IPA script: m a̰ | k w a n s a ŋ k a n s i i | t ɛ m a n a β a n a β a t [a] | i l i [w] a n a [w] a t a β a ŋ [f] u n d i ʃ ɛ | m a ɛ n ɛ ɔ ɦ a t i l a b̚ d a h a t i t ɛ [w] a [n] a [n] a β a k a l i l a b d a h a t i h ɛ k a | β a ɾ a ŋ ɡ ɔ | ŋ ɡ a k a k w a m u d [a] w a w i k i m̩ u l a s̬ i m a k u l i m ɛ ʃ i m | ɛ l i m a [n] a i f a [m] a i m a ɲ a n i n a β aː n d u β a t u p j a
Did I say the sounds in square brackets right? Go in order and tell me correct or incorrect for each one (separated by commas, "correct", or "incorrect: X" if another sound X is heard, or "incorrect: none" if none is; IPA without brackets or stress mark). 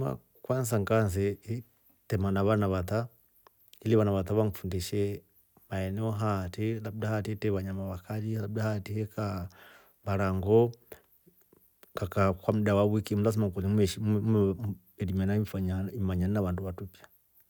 correct, incorrect: β, incorrect: β, correct, incorrect: β, incorrect: ɲ, incorrect: m, correct, correct, incorrect: ɲ